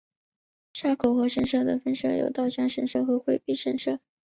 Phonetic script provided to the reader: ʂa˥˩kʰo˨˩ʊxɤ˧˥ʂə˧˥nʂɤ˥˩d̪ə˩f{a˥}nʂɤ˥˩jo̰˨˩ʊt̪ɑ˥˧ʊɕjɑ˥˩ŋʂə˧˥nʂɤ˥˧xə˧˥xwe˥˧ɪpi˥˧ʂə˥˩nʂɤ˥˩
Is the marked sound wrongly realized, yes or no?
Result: yes